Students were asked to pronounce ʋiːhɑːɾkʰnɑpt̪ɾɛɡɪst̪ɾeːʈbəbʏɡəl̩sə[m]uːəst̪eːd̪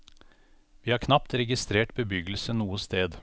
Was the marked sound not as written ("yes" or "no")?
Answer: yes